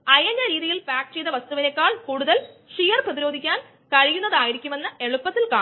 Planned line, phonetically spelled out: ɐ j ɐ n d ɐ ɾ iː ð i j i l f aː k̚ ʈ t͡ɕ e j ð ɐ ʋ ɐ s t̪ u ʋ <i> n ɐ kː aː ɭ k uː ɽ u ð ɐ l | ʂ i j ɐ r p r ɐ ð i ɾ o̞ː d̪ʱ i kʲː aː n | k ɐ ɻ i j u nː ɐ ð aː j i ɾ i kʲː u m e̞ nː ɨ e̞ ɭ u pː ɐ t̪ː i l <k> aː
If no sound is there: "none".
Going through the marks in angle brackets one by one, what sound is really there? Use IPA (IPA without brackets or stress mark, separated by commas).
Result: i, k